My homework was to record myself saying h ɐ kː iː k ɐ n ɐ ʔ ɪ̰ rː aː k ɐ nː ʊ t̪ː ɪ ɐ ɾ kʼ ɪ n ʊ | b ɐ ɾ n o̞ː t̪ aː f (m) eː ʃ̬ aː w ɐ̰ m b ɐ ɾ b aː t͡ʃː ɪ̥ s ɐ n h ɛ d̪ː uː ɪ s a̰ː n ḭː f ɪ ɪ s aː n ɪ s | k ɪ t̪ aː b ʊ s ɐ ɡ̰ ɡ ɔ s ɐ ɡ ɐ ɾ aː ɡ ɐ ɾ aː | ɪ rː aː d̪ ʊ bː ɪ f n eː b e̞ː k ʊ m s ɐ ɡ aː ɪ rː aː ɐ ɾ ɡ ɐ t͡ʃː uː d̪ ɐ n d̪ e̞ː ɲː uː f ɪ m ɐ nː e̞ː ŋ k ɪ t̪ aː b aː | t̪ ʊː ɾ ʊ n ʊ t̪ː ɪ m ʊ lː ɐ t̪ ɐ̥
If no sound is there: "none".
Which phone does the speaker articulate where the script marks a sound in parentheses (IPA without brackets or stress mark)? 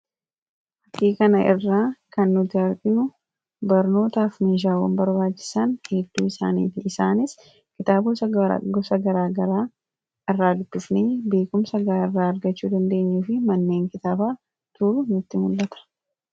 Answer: m